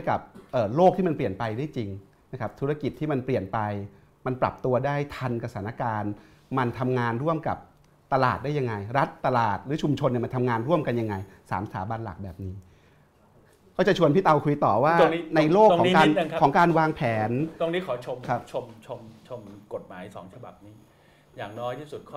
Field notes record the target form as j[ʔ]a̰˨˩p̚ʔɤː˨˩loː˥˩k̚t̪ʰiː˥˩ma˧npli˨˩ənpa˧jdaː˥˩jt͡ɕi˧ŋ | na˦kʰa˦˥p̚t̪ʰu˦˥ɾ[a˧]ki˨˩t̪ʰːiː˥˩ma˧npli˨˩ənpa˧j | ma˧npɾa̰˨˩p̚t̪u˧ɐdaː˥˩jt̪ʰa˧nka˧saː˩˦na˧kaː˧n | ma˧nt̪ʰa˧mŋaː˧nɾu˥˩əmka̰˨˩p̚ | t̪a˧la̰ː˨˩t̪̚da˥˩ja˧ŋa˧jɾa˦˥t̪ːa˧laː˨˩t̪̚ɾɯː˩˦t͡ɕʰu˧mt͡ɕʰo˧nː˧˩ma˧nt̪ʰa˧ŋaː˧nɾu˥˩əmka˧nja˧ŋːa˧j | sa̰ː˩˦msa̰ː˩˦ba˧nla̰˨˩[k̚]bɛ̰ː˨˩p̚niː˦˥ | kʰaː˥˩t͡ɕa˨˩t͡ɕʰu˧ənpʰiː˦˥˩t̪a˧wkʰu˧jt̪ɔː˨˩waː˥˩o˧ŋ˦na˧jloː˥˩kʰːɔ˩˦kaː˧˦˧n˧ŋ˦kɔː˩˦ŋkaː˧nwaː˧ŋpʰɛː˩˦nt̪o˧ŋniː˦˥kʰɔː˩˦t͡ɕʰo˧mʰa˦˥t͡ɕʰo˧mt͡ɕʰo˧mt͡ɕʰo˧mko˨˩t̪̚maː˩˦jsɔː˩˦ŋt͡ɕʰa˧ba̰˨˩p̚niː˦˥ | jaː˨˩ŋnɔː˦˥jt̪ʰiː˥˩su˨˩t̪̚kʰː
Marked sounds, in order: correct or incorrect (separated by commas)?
incorrect, correct, correct